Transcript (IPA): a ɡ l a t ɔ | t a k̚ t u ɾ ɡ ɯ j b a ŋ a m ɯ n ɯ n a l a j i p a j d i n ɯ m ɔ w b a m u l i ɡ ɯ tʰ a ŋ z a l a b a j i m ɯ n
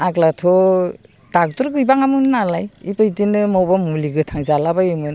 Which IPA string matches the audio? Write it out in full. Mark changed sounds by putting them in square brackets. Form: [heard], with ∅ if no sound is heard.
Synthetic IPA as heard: a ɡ l a [tʰ] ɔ | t a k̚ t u ɾ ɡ ɯ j b a ŋ a m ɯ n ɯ n a l a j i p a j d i n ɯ m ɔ w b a m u l i ɡ ɯ tʰ a ŋ z a l a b a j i m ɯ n